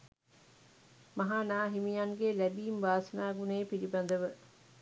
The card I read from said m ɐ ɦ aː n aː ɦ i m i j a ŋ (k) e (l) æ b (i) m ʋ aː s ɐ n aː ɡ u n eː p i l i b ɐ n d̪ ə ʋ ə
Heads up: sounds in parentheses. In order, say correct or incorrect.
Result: incorrect: ɡ, correct, incorrect: iː

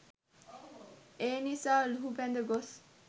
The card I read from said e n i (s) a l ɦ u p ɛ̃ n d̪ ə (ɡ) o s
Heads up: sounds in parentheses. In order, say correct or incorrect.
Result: correct, correct

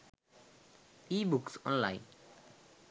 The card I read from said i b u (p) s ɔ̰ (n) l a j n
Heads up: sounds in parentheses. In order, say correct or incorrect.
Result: incorrect: k, correct

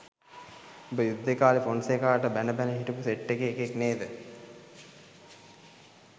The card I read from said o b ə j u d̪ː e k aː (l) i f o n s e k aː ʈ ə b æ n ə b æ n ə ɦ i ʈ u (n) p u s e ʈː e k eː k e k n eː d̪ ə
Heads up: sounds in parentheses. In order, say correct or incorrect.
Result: correct, incorrect: none

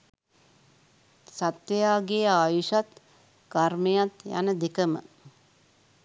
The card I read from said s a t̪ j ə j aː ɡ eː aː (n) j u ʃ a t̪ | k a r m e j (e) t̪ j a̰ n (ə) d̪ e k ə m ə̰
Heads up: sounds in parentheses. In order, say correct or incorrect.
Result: incorrect: none, incorrect: a, correct

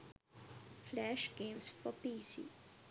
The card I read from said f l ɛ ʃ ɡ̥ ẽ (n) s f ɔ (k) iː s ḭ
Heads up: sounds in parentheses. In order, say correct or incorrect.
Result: incorrect: m, incorrect: p

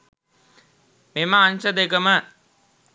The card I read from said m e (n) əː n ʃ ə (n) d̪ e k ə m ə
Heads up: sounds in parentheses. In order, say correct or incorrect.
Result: incorrect: m, incorrect: none

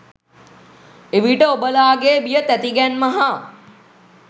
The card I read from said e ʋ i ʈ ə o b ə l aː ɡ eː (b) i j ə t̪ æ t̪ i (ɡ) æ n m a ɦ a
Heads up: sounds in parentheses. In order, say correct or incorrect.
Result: correct, correct

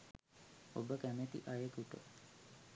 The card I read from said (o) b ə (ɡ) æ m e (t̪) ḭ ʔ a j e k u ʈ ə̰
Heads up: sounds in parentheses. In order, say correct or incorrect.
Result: correct, incorrect: k, correct

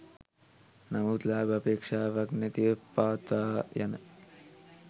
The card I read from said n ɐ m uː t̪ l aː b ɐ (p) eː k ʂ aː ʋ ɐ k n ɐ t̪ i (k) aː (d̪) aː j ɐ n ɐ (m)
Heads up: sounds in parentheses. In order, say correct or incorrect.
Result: correct, incorrect: p, incorrect: t̪, incorrect: none

